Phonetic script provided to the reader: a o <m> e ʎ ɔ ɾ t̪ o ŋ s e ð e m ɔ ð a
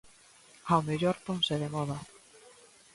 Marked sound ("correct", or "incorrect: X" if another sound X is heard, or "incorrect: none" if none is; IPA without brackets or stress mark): correct